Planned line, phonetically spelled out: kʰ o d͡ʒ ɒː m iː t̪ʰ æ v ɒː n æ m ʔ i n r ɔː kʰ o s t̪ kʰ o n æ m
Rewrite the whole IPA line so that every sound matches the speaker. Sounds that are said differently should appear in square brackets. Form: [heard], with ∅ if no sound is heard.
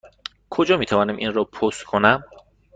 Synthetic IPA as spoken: kʰ o d͡ʒ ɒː m iː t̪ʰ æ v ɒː n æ m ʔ i n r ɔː [pʰ] o s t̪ kʰ o n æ m